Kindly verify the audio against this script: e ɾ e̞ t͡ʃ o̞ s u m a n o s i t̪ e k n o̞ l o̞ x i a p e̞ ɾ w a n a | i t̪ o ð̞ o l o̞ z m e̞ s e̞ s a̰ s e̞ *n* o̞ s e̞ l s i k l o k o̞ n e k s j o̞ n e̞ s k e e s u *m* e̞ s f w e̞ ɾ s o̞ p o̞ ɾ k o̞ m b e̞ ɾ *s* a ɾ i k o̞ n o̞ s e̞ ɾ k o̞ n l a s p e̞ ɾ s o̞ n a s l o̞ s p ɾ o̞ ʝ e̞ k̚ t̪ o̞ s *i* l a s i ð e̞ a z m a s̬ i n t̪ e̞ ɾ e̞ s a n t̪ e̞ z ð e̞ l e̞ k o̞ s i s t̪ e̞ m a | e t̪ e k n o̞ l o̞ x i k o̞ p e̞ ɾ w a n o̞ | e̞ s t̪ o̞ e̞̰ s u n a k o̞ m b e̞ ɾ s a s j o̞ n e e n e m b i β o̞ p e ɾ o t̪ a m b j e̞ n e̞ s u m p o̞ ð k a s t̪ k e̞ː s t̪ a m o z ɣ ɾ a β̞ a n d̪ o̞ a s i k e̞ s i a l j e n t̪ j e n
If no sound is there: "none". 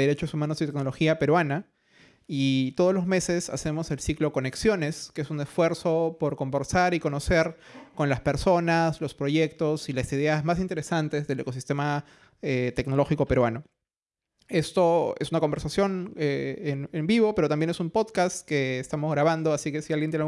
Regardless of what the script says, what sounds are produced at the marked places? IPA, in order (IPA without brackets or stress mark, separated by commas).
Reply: m, n, s, i